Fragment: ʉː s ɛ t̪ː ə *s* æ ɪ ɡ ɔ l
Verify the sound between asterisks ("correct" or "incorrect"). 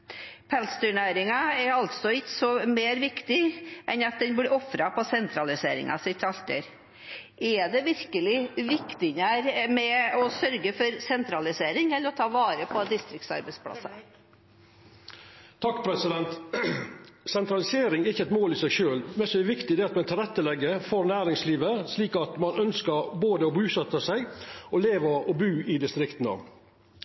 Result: correct